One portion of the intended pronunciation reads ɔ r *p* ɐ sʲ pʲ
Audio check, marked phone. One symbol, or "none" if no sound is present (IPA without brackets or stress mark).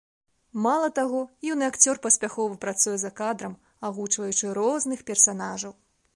p